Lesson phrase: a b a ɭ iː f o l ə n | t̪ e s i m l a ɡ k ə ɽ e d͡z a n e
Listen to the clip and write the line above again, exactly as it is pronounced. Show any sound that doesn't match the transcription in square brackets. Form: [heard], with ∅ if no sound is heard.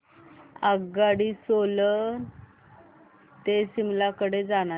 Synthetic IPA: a [ɡ] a [ɽ] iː [s] o l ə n | t̪ e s i m l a [∅] k ə ɽ e d͡z a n [a]